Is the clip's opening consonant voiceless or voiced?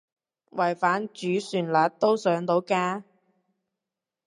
voiced